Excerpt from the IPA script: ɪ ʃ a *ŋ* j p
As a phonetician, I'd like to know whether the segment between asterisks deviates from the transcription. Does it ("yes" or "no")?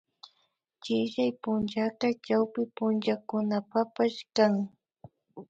yes